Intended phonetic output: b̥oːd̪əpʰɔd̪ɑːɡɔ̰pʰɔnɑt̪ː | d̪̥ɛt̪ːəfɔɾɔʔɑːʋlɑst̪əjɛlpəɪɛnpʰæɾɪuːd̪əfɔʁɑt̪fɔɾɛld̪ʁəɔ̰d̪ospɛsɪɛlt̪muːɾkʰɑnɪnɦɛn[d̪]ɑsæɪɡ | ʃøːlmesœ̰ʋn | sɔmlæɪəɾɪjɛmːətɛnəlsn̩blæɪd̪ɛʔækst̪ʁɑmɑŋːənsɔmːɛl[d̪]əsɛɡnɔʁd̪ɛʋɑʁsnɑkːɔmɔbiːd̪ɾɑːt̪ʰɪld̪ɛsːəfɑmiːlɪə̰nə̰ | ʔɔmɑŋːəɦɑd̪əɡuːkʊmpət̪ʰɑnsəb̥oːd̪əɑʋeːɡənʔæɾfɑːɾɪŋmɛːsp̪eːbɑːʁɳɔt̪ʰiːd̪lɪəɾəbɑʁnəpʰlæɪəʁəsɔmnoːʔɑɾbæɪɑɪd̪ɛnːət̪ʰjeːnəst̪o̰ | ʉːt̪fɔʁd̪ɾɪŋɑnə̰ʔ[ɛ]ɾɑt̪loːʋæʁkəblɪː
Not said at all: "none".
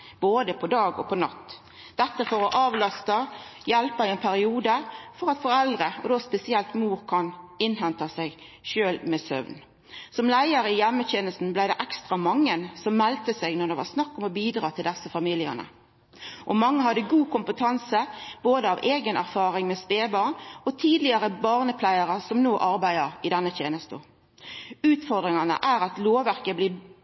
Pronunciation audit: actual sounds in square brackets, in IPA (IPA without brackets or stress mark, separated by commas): t̪, t̪, æ